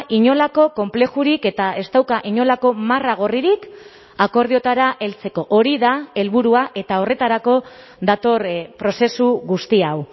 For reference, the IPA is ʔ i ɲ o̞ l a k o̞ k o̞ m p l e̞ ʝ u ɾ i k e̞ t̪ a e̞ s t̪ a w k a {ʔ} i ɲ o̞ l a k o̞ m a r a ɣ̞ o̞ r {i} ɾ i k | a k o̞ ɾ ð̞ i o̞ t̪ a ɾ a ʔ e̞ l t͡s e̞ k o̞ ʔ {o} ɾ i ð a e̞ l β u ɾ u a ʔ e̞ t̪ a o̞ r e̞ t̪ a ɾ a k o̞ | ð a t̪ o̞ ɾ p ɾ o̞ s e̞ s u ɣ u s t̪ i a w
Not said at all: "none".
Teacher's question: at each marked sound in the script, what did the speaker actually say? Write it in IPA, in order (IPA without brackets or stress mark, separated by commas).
ʔ, i, o